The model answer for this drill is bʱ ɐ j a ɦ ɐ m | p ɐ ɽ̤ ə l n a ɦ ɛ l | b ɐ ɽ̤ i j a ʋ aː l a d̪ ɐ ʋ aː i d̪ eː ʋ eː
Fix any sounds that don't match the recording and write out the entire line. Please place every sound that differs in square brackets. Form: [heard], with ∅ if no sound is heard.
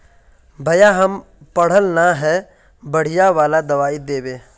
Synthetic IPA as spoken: bʱ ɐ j a ɦ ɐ m | p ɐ ɽ̤ ə l n a ɦ ɛ [∅] | b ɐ ɽ̤ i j a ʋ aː l a d̪ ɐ ʋ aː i d̪ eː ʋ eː